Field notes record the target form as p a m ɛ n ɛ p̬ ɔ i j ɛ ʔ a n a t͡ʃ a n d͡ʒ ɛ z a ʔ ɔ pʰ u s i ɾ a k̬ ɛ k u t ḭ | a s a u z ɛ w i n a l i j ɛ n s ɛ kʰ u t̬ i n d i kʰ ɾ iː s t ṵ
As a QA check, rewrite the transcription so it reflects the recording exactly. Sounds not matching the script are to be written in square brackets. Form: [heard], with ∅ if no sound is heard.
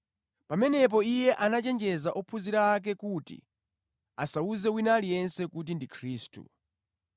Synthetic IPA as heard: p a m ɛ n ɛ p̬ ɔ i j ɛ ʔ a n a t͡ʃ [ɛ] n d͡ʒ ɛ z a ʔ ɔ pʰ u [z] i ɾ a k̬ ɛ k u t ḭ | a s a u z ɛ w i n a l i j ɛ n s ɛ [k] u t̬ i n d i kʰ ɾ iː s t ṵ